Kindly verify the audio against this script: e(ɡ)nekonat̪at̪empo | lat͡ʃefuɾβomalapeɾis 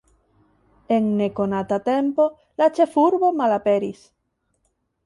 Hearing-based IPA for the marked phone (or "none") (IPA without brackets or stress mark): ŋ